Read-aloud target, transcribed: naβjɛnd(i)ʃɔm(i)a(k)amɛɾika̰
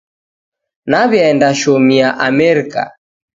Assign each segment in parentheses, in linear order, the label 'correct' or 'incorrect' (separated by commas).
incorrect, correct, incorrect